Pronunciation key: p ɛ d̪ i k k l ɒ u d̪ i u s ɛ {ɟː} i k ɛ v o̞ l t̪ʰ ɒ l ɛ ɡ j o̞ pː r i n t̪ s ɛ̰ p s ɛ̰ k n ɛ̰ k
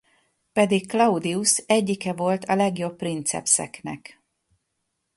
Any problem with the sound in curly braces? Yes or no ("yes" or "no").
no